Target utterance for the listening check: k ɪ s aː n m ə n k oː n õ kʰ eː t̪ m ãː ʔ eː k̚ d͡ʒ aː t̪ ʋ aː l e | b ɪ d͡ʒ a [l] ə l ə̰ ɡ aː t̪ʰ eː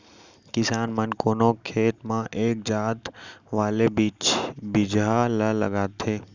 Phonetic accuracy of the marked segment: correct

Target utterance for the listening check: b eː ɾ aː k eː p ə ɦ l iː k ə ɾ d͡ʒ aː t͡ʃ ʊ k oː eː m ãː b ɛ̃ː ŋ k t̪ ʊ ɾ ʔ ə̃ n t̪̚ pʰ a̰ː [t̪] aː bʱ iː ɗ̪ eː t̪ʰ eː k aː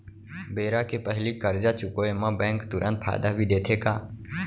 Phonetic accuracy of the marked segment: incorrect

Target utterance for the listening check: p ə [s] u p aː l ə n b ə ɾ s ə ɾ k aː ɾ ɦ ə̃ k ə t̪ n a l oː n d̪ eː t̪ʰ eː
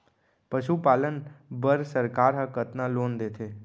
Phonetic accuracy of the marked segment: incorrect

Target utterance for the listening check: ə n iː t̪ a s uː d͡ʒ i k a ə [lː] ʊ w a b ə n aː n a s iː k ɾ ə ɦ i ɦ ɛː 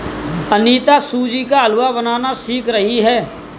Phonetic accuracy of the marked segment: incorrect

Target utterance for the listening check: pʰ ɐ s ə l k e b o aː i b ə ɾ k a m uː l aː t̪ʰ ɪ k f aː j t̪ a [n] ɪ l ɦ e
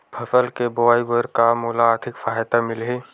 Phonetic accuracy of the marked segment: incorrect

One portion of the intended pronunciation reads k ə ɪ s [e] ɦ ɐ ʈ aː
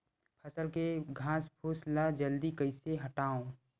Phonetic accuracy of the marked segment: correct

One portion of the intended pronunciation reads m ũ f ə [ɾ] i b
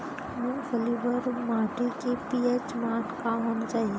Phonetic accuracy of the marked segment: incorrect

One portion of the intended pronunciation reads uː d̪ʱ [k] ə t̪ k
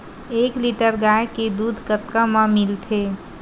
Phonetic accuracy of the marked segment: correct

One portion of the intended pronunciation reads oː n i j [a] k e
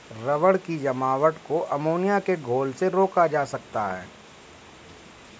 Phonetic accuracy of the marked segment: correct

